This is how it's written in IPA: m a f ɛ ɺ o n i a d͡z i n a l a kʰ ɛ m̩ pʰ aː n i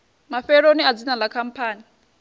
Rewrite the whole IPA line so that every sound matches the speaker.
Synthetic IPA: m a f ɛ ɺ o n i a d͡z i n a l a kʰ a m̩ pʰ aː n i